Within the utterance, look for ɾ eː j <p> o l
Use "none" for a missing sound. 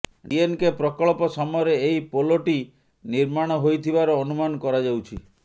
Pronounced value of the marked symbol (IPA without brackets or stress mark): p